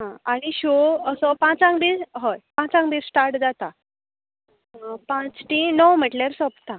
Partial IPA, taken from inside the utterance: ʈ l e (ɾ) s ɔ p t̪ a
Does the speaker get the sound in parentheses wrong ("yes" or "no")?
no